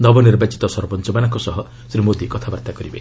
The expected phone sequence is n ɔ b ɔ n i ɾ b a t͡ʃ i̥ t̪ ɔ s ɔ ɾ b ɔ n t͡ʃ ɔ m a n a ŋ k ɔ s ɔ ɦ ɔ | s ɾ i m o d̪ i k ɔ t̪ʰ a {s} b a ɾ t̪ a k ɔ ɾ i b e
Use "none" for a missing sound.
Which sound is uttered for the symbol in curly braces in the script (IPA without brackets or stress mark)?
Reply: none